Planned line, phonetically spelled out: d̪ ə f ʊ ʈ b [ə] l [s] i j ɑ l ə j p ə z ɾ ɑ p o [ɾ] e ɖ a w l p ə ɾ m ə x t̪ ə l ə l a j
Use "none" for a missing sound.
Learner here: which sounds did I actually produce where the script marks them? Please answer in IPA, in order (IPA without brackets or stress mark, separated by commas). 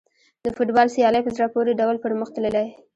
ɑ, s, ɾ